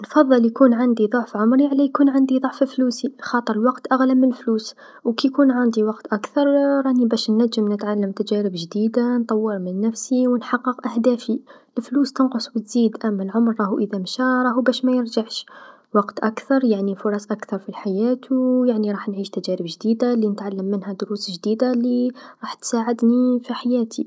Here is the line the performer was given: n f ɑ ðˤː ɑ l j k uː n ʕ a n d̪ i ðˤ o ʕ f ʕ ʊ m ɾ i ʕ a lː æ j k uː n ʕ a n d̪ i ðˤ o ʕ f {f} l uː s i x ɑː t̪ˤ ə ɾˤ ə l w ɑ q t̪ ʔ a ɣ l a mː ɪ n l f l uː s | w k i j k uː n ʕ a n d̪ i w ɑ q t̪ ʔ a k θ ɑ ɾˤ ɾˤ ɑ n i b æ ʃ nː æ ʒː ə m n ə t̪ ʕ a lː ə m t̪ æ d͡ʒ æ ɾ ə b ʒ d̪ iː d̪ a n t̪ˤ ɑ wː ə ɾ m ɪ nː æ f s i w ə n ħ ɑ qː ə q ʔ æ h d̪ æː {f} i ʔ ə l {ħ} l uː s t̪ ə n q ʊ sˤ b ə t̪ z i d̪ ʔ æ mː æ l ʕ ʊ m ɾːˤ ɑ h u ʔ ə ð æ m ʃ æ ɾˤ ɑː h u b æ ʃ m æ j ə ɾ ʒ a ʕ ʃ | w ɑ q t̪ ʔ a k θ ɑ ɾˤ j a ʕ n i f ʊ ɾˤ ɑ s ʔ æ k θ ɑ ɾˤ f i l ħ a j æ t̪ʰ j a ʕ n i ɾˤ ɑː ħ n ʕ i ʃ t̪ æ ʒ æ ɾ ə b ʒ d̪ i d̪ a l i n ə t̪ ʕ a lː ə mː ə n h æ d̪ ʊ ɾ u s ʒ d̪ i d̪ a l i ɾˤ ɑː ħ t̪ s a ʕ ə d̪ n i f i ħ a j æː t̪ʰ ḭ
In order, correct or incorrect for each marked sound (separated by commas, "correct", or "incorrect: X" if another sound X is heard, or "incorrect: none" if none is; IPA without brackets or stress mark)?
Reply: correct, correct, incorrect: f